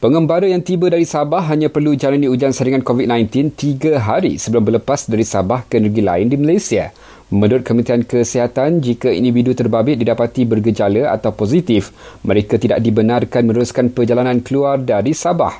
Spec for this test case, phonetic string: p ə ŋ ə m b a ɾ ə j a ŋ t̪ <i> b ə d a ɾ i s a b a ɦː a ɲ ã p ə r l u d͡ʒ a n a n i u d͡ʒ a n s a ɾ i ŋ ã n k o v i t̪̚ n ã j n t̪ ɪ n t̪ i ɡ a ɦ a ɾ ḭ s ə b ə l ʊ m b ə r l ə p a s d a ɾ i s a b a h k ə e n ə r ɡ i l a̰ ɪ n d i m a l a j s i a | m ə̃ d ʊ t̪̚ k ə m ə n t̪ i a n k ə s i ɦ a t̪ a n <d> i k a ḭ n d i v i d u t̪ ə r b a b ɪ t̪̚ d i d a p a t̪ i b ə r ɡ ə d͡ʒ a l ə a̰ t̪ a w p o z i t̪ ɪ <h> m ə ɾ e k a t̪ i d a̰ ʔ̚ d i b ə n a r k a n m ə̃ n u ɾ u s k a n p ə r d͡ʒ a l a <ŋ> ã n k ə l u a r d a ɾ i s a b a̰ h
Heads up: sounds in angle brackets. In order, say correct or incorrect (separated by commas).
correct, incorrect, incorrect, incorrect